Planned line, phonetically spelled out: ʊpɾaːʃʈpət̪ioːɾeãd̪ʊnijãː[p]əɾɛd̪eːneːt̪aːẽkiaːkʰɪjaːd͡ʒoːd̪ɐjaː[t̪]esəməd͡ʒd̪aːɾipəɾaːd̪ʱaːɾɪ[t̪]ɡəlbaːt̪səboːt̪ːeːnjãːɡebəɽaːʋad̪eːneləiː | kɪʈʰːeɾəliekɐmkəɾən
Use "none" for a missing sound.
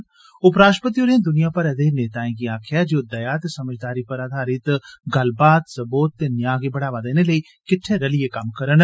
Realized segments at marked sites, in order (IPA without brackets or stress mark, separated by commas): p, t̪, t̪